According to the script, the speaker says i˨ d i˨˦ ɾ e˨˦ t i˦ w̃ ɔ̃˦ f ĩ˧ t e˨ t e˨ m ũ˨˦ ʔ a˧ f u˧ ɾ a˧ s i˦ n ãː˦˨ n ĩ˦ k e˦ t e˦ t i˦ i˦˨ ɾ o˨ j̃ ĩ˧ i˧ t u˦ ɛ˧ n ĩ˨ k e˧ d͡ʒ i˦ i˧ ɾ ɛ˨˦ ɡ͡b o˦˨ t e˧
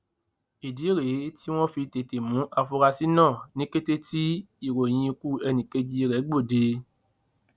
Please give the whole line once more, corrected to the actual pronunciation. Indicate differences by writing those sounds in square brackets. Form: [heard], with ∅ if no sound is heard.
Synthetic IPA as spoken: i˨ d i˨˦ ɾ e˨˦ t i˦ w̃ ɔ̃˦ f [i˧] t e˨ t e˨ m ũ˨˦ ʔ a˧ f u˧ ɾ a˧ s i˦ n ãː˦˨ n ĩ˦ k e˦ t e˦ t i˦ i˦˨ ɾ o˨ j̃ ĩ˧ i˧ [k] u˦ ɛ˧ n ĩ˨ k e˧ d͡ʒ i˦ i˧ ɾ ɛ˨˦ ɡ͡b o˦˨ [d] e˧